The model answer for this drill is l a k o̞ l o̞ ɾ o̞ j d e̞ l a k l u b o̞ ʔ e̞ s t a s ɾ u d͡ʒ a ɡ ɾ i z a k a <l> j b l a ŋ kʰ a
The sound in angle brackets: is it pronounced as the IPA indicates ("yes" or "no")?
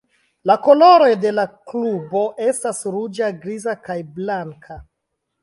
no